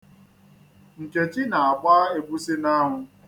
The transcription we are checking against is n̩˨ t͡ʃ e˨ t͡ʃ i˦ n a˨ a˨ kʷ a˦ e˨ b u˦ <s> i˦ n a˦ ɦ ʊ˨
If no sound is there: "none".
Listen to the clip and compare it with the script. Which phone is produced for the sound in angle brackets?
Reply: s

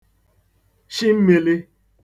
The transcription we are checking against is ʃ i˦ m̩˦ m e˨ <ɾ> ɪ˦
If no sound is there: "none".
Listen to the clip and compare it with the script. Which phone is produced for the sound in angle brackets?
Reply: l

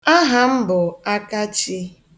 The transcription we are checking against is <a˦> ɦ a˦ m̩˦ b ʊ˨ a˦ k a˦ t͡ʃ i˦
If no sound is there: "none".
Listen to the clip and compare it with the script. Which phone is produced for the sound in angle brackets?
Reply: a˦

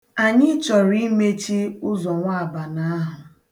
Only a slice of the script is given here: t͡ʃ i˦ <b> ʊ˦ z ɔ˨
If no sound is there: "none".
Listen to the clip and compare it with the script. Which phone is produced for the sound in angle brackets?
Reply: none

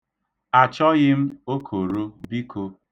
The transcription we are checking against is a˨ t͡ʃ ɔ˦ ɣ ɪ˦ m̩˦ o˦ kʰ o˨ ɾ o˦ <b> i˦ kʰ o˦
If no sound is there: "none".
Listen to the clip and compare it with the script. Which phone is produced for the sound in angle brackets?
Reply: b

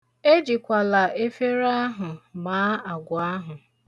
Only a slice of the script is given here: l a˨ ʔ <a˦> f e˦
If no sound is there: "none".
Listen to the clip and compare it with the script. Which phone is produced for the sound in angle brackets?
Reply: e˦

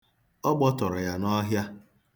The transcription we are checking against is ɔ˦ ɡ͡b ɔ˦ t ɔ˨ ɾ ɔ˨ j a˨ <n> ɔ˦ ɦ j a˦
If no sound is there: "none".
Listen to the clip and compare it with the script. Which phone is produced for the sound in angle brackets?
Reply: n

